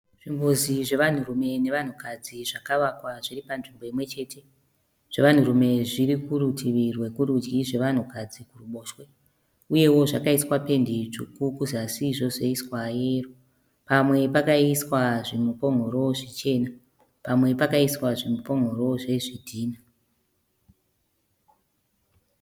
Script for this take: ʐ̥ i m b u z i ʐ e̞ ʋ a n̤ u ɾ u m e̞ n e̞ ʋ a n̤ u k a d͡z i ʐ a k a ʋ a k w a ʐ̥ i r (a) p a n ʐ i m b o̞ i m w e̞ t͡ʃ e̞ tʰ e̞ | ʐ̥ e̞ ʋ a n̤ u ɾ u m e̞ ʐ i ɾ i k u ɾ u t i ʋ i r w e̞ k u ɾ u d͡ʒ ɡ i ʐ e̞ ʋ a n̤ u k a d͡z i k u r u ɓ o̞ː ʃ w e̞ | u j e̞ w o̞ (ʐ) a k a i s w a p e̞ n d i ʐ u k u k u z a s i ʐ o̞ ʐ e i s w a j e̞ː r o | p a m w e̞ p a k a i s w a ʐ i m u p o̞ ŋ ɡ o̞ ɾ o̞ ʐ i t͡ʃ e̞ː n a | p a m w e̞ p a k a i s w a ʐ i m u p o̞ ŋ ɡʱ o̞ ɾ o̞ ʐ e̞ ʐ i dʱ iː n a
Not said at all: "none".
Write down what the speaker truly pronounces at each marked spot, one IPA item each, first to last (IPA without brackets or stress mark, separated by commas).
i, ʐ